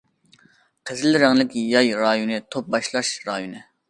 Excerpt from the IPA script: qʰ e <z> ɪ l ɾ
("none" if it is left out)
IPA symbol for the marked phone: z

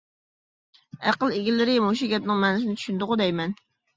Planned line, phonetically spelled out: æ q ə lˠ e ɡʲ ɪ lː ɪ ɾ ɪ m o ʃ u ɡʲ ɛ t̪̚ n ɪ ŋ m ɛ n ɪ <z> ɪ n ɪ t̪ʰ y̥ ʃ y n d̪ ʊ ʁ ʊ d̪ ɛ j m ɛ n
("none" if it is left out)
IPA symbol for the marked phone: s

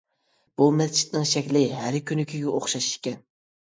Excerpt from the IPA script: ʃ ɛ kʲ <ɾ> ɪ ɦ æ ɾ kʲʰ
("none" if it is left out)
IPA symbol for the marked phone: l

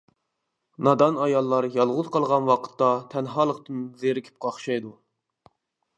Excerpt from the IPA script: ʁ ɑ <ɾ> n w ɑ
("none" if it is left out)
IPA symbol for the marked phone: none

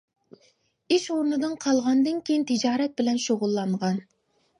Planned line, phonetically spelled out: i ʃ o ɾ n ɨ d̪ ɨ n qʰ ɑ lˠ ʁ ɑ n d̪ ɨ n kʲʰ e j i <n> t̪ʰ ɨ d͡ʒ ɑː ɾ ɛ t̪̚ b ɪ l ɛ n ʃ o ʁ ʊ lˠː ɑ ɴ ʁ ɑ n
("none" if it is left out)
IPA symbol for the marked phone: n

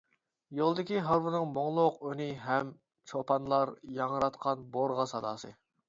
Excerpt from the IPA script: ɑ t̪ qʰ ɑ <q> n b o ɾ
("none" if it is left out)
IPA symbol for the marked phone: none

